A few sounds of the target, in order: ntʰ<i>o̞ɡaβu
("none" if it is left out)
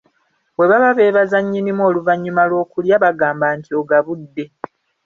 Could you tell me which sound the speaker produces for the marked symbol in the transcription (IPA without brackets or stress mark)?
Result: i